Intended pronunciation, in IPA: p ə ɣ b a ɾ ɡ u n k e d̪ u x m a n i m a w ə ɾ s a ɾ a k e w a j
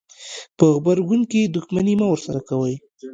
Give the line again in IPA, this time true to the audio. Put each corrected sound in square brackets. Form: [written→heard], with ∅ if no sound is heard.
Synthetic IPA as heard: p ə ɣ b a ɾ ɡ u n k e d̪ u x m a n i m a w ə ɾ s a ɾ a k [e→a] w [a→ə] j

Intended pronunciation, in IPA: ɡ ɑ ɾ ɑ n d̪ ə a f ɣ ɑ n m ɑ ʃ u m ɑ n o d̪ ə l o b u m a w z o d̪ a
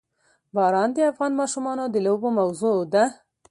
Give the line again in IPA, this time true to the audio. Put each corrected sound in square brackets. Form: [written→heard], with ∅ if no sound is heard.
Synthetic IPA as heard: [ɡ→b] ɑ ɾ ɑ n d̪ ə a f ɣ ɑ n m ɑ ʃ u m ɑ n o d̪ ə l o b [u→o] m a w z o d̪ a

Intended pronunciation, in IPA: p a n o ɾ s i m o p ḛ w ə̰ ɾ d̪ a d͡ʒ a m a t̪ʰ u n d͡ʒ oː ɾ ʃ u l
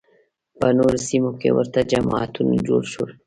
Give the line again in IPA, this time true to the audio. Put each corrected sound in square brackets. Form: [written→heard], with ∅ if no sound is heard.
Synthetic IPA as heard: p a n o ɾ s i m o [p→k] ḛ w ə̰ ɾ [d̪→t̪] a d͡ʒ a m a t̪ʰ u n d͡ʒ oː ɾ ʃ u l

